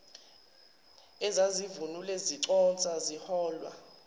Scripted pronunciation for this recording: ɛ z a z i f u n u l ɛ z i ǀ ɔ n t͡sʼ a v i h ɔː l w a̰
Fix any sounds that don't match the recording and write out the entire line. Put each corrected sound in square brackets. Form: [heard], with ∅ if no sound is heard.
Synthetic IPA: ɛ z a z i [v] u n u l ɛ z i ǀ ɔ n t͡sʼ a [z] i h ɔː l w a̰